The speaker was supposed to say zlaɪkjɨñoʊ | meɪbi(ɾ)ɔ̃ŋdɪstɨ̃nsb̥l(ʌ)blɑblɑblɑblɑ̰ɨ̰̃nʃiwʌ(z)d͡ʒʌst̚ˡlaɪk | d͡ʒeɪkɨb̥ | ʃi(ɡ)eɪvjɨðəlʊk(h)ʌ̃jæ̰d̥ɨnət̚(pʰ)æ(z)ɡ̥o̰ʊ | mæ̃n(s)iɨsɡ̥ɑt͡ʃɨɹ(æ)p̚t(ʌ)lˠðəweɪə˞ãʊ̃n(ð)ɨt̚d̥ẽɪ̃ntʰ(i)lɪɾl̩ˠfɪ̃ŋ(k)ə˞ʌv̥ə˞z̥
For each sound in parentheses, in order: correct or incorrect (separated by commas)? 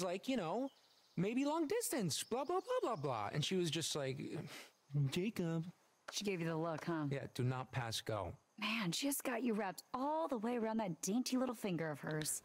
incorrect, incorrect, correct, correct, correct, correct, incorrect, incorrect, correct, incorrect, correct, correct, incorrect